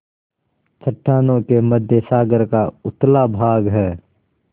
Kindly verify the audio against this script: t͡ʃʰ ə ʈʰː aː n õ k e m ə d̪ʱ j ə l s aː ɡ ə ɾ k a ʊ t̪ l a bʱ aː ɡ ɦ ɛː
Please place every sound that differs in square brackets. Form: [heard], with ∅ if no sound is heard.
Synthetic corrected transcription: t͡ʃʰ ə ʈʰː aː n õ k e m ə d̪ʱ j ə [∅] s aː ɡ ə ɾ k a ʊ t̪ l a bʱ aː ɡ ɦ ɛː